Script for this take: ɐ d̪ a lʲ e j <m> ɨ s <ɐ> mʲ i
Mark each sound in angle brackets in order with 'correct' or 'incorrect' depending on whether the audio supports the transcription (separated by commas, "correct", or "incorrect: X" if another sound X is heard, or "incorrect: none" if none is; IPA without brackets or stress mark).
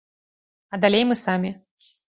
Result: correct, incorrect: a